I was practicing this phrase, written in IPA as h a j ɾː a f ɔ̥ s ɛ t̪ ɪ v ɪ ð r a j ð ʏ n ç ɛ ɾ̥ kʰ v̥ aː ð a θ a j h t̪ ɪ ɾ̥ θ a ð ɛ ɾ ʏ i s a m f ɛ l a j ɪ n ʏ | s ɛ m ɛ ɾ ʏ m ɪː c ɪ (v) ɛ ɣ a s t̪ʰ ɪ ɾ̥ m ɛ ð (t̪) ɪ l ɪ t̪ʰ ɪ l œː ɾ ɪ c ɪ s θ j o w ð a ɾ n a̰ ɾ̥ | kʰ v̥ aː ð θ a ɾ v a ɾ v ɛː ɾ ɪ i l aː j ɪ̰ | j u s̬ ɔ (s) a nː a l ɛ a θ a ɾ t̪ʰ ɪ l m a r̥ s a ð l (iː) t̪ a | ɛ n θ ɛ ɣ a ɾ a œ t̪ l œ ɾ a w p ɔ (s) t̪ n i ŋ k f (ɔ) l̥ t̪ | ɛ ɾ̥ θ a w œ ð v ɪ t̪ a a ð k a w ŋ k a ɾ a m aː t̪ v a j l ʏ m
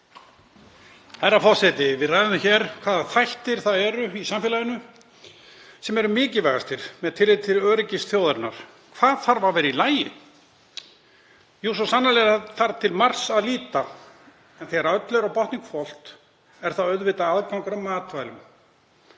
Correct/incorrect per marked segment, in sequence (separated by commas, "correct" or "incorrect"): correct, incorrect, correct, correct, incorrect, correct